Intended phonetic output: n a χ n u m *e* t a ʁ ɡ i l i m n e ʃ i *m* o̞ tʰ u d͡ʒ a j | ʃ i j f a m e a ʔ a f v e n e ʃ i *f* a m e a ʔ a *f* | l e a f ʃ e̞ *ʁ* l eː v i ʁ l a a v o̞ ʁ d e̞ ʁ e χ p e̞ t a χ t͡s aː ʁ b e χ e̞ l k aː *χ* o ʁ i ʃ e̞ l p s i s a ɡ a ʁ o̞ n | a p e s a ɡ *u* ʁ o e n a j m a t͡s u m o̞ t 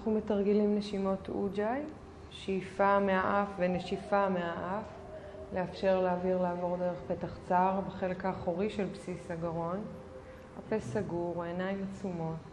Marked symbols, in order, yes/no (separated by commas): yes, yes, yes, yes, yes, yes, yes